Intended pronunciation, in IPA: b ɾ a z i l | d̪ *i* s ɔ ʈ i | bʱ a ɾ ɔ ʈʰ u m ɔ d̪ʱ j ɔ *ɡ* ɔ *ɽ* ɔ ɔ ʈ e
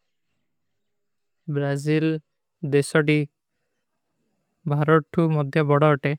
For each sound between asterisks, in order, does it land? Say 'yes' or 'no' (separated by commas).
no, no, yes